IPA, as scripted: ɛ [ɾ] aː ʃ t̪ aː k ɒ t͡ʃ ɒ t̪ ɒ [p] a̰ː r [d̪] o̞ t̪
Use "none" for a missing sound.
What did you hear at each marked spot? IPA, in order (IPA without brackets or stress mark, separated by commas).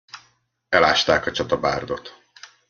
l, b, d̪